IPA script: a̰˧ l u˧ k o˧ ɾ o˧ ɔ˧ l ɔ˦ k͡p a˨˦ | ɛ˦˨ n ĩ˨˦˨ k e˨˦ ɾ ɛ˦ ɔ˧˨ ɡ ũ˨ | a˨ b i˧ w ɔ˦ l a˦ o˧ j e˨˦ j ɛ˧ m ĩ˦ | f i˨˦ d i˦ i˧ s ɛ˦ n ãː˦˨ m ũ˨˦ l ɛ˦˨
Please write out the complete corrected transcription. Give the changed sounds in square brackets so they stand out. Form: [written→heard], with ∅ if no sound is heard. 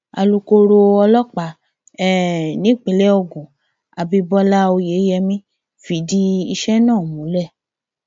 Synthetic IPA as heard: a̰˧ l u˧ k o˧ ɾ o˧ ɔ˧ l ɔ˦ k͡p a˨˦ | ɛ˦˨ n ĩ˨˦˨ [k→k͡p] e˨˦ [ɾ→l] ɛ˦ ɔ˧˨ ɡ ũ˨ | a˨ b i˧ [w→b] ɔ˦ l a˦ o˧ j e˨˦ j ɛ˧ m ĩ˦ | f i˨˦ d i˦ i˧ [s→ʃ] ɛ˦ n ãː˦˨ m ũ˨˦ l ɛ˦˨

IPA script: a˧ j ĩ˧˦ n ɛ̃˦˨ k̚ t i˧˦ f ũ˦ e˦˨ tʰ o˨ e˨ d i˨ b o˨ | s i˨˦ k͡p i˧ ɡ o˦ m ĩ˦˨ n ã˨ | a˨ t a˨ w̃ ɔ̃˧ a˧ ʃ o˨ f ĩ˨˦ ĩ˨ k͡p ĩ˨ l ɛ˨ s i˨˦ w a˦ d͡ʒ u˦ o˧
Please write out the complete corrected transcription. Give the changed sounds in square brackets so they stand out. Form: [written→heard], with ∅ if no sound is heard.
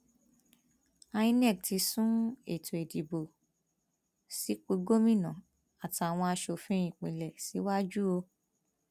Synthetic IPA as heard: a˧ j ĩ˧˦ n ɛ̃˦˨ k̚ t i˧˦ [f→s] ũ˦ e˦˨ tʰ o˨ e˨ d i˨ b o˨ | s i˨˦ k͡p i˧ ɡ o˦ m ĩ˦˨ n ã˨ | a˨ t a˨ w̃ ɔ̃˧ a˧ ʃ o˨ f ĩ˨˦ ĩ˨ k͡p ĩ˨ l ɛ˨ s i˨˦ w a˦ d͡ʒ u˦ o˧

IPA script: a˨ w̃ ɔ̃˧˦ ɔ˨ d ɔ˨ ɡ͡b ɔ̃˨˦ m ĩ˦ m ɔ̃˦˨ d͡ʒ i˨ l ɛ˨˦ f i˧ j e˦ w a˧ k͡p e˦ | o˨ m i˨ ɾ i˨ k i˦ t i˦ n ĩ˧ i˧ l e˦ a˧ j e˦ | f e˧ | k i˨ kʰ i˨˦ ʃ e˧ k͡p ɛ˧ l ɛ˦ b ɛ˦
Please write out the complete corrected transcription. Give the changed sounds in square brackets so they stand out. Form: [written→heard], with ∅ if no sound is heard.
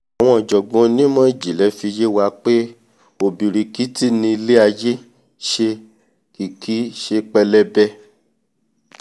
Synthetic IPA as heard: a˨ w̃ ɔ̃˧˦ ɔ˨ [d→d͡ʒ] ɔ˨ ɡ͡b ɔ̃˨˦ [m→n] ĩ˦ m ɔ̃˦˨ d͡ʒ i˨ l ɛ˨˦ f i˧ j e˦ w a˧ k͡p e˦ | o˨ [m→b] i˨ ɾ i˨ k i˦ t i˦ n ĩ˧ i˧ l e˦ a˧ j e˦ | [f→ʃ] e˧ | k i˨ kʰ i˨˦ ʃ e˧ k͡p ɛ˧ l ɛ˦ b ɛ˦

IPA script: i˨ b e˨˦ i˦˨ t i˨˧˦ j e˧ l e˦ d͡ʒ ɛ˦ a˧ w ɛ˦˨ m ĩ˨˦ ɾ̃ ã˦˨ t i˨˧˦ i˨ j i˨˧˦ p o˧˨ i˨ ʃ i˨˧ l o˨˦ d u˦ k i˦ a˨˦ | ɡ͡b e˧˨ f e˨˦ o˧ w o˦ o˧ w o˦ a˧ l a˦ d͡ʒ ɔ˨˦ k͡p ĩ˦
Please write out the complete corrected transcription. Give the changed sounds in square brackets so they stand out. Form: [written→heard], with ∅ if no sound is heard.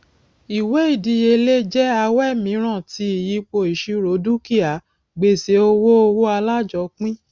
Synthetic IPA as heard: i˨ [b→w] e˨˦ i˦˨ [t→d] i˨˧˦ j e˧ l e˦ d͡ʒ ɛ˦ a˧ w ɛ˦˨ m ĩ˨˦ ɾ̃ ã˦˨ t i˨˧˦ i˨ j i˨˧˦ [p→k͡p] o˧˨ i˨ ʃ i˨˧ [l→ɾ] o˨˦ d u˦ k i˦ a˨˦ | ɡ͡b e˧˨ [f→s] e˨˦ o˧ w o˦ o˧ w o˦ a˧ l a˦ d͡ʒ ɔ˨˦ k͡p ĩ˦

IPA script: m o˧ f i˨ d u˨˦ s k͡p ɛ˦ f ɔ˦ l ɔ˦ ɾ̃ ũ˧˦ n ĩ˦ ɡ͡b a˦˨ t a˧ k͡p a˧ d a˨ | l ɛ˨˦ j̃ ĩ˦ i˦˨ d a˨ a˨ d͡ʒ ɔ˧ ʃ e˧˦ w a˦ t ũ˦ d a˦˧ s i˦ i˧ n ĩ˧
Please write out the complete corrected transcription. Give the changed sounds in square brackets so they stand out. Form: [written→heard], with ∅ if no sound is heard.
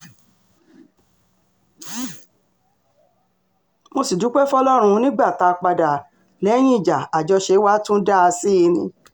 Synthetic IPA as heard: m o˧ [f→s] i˨ d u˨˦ [s→∅] k͡p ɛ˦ f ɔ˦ l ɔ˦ ɾ̃ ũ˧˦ n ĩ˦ ɡ͡b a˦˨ t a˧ k͡p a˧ d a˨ | l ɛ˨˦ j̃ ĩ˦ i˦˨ [d→d͡ʒ] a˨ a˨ d͡ʒ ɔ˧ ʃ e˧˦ w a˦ t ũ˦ d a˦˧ s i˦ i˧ n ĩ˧

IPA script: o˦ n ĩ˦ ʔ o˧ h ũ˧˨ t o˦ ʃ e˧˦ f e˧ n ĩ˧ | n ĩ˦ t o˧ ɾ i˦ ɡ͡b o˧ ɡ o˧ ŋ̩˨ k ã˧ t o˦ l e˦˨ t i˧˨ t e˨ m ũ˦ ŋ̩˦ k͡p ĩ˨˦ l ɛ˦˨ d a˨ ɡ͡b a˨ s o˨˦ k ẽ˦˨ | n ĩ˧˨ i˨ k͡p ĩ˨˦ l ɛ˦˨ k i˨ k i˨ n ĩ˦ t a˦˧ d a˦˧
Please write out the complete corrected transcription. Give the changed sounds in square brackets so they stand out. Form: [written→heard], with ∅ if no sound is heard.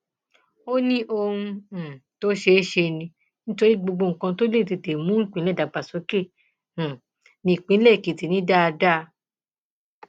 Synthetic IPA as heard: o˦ n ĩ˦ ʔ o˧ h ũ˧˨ t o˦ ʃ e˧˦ [f→ʃ] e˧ n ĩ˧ | n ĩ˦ t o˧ ɾ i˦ ɡ͡b o˧ [ɡ→ɡ͡b] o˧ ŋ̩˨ k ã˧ t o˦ l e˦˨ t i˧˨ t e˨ m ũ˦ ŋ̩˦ k͡p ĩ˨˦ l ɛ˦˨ d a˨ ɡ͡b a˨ s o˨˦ k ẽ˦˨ | n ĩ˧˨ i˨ k͡p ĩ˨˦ l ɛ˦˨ k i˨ [k→t] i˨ n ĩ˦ [t→d] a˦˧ d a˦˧

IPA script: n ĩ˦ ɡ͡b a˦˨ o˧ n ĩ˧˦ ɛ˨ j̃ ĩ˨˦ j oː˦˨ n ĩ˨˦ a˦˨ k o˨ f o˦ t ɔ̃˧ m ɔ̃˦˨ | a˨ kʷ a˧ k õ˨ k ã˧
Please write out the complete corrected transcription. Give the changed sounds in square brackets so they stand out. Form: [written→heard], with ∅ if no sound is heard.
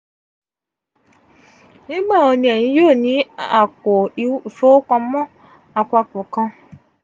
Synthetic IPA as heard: n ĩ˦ ɡ͡b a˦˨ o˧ n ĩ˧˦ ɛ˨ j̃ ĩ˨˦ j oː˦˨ n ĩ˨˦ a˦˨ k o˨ f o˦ [t→k] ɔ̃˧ m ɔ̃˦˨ | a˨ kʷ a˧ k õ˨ k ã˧

